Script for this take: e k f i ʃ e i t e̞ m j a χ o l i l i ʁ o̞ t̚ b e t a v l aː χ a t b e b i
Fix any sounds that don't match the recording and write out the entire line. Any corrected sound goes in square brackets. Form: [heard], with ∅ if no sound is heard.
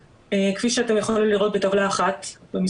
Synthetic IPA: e k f i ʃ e [a] t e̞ m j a χ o l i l i ʁ o̞ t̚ b e t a v l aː χ a t b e [m] i